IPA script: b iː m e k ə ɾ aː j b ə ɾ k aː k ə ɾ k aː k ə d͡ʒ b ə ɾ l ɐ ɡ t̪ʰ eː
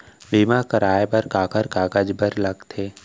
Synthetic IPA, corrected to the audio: b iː m a k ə ɾ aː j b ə ɾ k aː k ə ɾ k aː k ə d͡ʒ b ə ɾ l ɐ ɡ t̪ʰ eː